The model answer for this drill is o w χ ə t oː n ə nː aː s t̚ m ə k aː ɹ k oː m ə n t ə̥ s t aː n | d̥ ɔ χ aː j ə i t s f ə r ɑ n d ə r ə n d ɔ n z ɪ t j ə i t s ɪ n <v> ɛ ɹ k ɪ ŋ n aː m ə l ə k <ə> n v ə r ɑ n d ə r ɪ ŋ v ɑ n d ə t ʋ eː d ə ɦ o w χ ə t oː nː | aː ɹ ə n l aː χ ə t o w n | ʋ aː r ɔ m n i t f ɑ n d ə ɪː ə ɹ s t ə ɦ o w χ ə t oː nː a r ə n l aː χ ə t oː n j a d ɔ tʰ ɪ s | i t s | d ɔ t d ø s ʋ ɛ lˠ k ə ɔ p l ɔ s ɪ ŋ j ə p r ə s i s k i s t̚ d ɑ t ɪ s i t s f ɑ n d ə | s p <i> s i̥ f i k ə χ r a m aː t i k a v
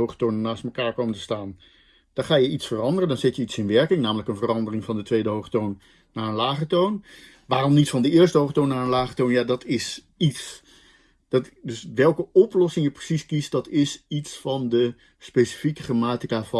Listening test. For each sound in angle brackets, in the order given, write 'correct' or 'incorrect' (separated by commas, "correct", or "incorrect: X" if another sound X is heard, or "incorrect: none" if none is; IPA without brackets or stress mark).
incorrect: ʋ, correct, incorrect: e